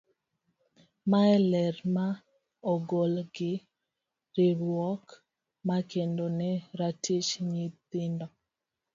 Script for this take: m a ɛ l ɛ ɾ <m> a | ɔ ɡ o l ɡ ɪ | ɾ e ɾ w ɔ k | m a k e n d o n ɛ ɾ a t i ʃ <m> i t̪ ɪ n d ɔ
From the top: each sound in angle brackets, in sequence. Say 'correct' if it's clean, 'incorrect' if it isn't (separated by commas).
correct, incorrect